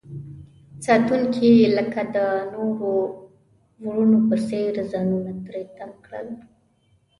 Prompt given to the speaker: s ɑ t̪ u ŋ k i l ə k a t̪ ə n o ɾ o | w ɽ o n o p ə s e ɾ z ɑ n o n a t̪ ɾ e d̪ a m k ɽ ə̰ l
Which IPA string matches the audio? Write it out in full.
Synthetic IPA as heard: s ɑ t̪ u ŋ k i l ə k a d̪ ə n o ɾ o | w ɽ u n o p ə s e ɾ z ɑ n u n a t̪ ɾ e t̪ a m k ɽ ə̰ l